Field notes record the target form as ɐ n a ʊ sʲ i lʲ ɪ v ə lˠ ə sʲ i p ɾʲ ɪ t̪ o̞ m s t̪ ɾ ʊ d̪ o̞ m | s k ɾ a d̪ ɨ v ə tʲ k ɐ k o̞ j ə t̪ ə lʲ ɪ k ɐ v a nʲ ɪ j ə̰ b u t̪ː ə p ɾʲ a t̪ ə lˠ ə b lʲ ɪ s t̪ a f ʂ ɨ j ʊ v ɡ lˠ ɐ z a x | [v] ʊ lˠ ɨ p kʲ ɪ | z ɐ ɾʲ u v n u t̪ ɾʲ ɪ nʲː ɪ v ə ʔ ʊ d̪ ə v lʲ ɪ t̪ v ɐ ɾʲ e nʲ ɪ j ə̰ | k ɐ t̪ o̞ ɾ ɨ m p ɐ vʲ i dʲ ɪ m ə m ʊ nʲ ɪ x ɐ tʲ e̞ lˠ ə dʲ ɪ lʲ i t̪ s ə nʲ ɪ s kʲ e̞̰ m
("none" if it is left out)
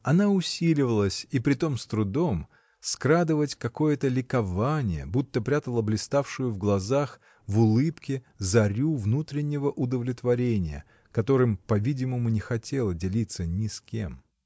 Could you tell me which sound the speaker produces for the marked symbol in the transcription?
v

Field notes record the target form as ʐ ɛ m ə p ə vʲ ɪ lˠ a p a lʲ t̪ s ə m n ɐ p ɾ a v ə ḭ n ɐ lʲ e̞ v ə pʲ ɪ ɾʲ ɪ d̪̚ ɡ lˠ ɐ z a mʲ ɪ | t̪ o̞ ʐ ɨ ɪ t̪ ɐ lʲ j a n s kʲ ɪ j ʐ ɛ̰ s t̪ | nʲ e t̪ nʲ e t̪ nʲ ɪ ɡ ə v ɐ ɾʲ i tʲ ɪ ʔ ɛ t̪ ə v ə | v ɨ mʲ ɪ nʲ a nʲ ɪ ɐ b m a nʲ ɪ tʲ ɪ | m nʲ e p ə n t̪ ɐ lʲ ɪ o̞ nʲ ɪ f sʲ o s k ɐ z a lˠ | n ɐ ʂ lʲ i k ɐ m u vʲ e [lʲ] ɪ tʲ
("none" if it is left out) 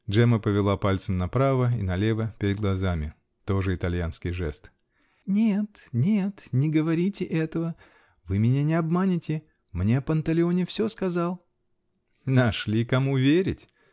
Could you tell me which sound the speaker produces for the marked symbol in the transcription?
ɾʲ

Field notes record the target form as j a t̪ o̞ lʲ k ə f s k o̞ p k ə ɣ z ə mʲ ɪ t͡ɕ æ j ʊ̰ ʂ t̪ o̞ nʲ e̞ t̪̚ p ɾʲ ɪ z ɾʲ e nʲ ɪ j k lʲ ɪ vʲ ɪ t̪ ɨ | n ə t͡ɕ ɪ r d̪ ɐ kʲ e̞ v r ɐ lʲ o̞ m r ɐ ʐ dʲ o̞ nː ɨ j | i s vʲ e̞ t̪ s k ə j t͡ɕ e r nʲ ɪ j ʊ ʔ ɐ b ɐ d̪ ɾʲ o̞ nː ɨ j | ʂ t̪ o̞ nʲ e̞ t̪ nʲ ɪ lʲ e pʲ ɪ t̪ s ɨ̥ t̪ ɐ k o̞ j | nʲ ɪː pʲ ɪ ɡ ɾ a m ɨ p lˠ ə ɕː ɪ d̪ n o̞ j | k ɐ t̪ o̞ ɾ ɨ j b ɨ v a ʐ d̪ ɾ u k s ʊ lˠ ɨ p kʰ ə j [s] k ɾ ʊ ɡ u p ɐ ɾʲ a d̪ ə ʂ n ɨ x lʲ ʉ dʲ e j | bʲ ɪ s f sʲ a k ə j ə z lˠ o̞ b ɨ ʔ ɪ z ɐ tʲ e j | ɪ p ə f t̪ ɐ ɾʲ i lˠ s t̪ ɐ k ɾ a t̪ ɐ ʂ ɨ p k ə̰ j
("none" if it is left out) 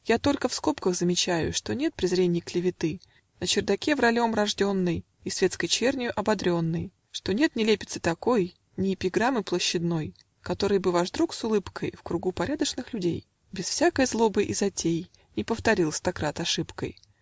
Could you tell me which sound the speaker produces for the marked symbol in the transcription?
f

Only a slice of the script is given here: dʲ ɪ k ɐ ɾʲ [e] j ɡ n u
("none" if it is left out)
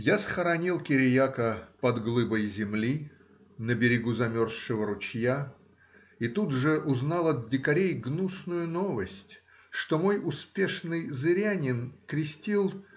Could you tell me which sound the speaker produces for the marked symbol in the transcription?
e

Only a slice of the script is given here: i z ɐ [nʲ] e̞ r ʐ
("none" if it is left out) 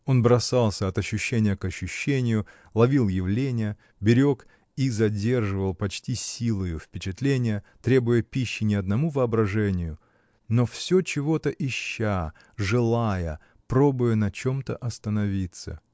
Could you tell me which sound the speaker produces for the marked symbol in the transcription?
dʲ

